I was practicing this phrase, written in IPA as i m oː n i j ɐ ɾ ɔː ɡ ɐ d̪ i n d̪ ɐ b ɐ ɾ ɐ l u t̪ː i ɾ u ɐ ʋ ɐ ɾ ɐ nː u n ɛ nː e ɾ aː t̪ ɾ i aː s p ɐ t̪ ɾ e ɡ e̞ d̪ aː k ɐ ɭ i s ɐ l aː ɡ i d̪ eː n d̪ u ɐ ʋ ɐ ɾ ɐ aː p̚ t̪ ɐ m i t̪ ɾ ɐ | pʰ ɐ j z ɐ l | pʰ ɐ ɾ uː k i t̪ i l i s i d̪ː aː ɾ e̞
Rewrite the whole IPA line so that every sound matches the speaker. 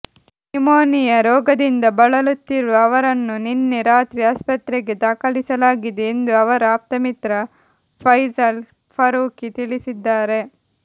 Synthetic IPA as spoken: i m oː n i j ɐ ɾ ɔː ɡ ɐ d̪ i n d̪ ɐ b ɐ ɭ ɐ l u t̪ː i ɾ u ɐ ʋ ɐ ɾ ɐ nː u n i nː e ɾ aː t̪ ɾ i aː s p ɐ t̪ ɾ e ɡ e̞ d̪ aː k ɐ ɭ i s ɐ l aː ɡ i d̪ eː n d̪ u ɐ ʋ ɐ ɾ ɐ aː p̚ t̪ ɐ m i t̪ ɾ ɐ | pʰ ɐ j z ɐ l | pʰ ɐ ɾ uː k i t̪ i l i s i d̪ː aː ɾ e̞